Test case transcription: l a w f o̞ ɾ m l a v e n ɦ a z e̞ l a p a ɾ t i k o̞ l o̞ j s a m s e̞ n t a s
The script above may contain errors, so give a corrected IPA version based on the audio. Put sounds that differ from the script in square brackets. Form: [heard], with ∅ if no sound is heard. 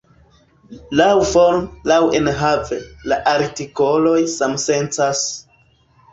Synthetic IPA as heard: l a w f o̞ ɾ m l a [w] e n ɦ a [v] e̞ l a [ʔ] a ɾ t i k o̞ l o̞ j s a m s e̞ n [t͡s] a s